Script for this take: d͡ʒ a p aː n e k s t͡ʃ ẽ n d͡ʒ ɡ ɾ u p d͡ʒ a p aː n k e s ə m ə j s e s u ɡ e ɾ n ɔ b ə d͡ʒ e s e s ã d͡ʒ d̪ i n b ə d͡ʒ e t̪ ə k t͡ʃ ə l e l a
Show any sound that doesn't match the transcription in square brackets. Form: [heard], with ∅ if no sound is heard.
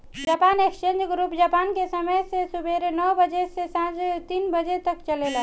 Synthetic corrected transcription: d͡ʒ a p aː n e k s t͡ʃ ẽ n d͡ʒ ɡ ɾ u p d͡ʒ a p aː n k e s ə m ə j s e s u [b] e ɾ n ɔ b ə d͡ʒ e s e s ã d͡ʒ [t̪] i n b ə d͡ʒ e t̪ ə k t͡ʃ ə l e l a